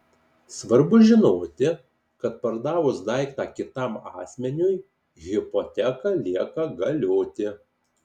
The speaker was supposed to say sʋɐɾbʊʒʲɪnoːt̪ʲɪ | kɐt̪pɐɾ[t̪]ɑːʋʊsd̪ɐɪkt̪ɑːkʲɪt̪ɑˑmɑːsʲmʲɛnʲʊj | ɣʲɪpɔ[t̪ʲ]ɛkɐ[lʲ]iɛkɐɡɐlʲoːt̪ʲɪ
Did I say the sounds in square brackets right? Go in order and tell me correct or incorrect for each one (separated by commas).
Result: incorrect, correct, correct